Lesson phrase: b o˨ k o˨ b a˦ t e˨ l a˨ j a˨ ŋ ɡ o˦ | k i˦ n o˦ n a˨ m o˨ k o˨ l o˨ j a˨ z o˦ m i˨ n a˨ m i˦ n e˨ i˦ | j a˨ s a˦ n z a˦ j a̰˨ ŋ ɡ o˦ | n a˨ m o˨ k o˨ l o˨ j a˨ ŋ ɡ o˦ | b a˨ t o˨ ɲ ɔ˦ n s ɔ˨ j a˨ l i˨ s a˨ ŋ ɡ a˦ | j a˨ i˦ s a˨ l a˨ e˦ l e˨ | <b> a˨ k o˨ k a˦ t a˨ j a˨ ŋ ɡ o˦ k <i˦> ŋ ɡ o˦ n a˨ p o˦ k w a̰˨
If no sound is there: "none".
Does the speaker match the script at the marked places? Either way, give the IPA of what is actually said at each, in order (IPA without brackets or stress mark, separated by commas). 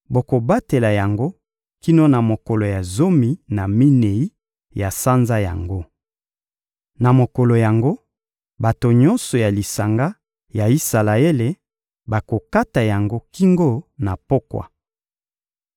b, i˦